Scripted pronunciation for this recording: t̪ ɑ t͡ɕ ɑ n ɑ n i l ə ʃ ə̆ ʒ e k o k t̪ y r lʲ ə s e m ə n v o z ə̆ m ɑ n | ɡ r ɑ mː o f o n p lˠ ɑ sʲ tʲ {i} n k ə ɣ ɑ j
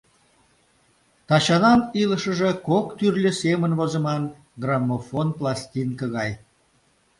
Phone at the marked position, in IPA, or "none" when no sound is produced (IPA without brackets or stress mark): i